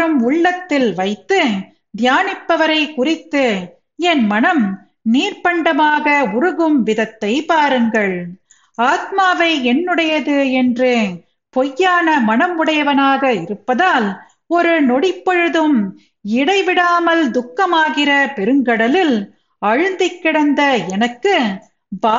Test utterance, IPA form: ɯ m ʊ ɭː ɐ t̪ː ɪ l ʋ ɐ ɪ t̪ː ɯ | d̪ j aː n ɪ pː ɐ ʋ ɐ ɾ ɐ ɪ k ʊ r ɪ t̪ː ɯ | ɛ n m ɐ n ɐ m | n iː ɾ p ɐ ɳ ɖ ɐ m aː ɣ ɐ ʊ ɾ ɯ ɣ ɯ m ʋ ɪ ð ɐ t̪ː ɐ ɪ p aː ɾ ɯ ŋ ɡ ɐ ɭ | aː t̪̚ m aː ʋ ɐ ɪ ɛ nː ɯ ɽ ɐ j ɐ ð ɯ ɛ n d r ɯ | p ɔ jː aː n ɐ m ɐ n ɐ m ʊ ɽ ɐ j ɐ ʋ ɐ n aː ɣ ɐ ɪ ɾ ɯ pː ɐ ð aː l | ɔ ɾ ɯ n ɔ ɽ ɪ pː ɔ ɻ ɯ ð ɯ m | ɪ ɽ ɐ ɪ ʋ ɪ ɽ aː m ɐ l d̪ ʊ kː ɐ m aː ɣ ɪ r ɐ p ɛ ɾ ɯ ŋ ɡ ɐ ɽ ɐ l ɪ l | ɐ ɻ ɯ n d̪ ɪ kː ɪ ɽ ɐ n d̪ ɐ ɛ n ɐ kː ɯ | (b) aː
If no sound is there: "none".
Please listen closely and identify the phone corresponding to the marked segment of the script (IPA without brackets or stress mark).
b